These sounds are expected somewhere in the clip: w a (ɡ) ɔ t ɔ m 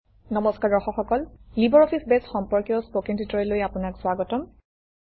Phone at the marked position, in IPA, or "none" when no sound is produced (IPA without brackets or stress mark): ɡ